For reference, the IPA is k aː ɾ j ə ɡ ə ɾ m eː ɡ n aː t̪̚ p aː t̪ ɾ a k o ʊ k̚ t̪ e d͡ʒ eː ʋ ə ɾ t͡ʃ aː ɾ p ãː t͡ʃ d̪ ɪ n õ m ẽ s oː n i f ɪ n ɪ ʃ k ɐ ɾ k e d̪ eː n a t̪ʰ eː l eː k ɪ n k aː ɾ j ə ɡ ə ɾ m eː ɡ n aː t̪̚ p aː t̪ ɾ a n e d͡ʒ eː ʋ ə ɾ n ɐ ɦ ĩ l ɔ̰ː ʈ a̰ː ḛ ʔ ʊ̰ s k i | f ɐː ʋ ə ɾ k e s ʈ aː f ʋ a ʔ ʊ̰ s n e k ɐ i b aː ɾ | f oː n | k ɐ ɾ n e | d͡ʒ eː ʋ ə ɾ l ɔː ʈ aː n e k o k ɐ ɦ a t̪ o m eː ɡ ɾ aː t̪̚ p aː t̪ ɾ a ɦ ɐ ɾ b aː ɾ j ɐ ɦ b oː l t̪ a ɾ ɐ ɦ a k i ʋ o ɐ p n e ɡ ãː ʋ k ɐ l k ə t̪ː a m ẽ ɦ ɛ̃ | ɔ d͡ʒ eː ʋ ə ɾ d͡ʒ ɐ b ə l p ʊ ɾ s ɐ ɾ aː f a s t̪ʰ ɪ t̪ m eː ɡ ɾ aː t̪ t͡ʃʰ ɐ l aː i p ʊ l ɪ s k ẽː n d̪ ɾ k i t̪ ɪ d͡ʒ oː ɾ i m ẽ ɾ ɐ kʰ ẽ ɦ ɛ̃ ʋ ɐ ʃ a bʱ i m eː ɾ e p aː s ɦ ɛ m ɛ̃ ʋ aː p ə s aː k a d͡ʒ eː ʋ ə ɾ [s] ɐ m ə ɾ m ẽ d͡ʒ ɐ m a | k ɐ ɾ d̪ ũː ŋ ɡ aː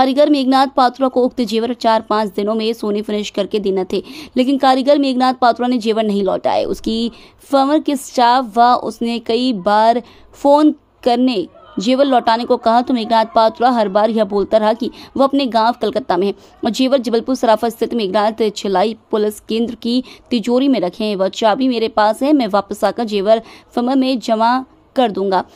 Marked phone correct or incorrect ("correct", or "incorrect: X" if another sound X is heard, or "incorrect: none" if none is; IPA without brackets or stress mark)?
incorrect: f